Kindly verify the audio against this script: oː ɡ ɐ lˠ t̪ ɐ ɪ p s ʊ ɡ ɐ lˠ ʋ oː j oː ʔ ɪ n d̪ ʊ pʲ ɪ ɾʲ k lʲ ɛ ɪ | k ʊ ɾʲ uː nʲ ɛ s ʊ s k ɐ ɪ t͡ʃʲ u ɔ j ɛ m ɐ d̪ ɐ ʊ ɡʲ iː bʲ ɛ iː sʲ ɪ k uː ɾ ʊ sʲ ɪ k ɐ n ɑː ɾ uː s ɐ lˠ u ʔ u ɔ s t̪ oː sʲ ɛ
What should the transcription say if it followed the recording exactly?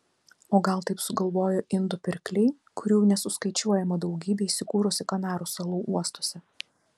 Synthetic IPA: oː ɡ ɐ lˠ t̪ ɐ ɪ p s ʊ ɡ ɐ lˠ ʋ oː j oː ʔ ɪ n d̪ ʊ pʲ ɪ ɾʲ k lʲ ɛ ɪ | k ʊ ɾʲ uː nʲ ɛ s ʊ s k ɐ ɪ t͡ʃʲ u ɔ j ɛ m ɐ d̪ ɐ ʊ ɡʲ iː bʲ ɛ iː sʲ ɪ k uː ɾ ʊ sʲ ɪ k ɐ n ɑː ɾ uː s ɐ lˠ uː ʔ u ɔ s t̪ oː sʲ ɛ